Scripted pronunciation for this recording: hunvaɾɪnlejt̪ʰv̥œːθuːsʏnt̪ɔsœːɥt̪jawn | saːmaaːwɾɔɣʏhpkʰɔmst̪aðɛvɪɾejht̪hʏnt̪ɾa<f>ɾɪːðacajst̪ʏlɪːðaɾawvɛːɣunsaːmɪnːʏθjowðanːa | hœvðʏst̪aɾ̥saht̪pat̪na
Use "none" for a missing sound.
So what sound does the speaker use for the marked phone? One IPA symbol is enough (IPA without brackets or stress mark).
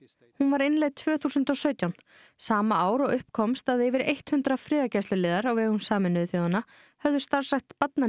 f